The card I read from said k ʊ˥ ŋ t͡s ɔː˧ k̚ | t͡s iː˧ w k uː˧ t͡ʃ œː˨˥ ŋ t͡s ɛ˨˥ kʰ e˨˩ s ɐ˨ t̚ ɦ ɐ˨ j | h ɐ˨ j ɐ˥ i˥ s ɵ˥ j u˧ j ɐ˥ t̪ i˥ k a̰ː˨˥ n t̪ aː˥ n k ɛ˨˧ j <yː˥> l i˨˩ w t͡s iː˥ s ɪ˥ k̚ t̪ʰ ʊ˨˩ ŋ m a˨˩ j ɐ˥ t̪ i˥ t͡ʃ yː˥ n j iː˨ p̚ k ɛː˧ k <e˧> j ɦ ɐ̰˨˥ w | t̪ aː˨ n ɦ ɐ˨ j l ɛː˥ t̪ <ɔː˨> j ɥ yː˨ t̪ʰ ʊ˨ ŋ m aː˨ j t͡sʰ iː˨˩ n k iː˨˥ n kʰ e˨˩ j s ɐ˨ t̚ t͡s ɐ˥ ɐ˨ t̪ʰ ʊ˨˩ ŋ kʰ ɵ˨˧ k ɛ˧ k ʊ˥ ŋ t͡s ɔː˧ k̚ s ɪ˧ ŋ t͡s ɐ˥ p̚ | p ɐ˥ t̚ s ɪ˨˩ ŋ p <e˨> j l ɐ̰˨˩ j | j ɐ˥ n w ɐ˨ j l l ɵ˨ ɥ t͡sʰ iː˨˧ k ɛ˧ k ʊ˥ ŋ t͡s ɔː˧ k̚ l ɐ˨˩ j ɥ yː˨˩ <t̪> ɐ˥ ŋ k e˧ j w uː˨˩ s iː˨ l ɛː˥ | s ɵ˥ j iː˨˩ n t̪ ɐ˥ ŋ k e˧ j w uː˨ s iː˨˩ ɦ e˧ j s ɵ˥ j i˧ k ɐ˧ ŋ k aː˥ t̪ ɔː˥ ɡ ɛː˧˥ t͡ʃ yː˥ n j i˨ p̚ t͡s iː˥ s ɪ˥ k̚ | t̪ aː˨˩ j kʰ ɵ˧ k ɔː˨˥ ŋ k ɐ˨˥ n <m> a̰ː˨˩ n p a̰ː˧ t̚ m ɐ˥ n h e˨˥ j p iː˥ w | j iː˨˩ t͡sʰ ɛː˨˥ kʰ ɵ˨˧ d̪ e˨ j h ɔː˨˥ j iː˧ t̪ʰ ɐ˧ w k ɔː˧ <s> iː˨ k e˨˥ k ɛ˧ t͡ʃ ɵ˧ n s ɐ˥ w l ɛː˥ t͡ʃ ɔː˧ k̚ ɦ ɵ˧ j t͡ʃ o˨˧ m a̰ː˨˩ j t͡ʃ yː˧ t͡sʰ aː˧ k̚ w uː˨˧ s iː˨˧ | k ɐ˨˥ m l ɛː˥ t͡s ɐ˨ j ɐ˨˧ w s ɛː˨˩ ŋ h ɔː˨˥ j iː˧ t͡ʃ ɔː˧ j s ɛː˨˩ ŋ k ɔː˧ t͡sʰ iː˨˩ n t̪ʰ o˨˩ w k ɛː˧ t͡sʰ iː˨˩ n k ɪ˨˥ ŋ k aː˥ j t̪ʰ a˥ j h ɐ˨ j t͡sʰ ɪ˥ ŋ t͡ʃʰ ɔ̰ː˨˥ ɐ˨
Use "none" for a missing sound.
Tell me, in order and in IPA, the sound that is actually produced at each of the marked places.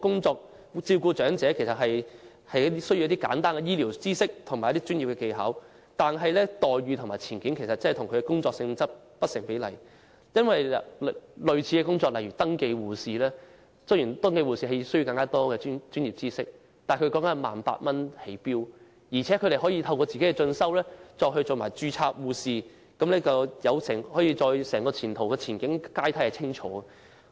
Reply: iː˥, e˧, ɔː˨, e˨˥, t̪, m, t͡s

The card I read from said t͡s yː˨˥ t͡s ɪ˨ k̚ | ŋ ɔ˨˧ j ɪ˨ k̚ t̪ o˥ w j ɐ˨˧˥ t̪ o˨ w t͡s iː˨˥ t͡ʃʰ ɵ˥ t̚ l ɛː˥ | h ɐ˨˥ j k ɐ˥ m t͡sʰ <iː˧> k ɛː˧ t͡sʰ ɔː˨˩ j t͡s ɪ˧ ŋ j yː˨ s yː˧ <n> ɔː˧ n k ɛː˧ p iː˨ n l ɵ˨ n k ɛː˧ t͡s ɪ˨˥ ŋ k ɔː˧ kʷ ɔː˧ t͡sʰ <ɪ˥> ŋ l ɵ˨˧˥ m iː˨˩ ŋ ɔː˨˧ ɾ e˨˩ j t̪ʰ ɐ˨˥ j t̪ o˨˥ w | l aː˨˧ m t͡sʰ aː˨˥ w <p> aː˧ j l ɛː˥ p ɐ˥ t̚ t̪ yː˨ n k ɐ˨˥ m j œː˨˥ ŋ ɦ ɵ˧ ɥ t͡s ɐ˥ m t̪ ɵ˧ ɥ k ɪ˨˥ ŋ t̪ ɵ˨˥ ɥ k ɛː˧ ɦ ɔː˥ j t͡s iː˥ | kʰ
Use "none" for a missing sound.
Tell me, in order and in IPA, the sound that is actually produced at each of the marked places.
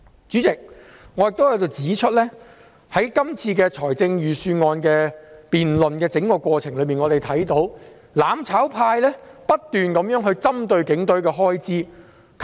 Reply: iː˧, ŋ, ɪ˨˩, pʰ

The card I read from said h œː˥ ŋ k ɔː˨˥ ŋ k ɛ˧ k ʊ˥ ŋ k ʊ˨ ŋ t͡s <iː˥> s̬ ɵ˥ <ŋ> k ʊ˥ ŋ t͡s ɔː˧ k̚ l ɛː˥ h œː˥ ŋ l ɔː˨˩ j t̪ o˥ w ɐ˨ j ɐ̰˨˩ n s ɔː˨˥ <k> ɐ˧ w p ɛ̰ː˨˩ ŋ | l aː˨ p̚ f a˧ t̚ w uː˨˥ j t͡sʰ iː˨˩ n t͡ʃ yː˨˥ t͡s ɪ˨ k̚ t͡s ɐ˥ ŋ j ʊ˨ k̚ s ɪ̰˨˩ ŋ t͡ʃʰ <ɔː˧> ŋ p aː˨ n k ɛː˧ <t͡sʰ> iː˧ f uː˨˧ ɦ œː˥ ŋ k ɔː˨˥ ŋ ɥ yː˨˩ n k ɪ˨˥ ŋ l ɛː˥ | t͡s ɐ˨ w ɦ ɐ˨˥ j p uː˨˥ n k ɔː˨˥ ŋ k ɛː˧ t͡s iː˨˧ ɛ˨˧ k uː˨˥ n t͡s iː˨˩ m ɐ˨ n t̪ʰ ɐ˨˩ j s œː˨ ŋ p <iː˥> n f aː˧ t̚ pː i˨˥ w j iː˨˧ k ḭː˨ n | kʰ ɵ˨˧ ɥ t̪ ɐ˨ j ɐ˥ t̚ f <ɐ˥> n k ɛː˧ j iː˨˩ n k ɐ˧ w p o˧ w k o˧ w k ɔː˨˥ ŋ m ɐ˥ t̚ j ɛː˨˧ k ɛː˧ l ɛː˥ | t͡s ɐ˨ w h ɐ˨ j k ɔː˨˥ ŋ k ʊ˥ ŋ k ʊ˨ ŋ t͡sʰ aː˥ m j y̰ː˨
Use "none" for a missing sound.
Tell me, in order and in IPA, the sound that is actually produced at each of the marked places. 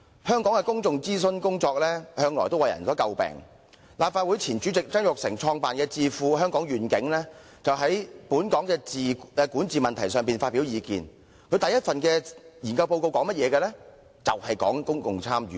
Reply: iː˥, n, k, ɔː˧, t͡s, iː˨, ɐ˨

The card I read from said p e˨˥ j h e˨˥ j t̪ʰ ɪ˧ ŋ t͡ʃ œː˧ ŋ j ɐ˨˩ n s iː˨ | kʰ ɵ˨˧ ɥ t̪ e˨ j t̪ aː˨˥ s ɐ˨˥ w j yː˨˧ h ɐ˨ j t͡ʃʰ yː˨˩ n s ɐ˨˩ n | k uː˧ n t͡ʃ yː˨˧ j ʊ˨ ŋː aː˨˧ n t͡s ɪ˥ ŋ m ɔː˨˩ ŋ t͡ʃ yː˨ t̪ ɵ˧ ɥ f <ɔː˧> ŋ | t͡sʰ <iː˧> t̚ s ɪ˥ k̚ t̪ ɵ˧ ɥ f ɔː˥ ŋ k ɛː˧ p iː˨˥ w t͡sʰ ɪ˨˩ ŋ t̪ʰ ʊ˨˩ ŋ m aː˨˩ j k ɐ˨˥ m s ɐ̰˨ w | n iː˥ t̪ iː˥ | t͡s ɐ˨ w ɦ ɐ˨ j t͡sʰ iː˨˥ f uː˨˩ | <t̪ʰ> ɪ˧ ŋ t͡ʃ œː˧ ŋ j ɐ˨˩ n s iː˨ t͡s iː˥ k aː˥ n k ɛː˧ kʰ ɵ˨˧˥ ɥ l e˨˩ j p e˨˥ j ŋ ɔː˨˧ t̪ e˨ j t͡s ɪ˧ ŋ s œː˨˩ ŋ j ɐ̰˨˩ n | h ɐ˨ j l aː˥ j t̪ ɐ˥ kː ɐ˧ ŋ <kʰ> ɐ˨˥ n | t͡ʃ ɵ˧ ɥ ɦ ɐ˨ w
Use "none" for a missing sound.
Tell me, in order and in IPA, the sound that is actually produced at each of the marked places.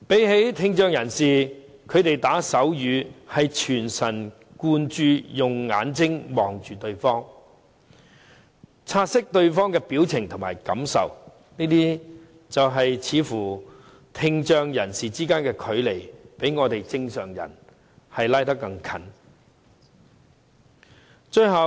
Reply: ɔː˥, aː˧, t̪ʰ, kʰ

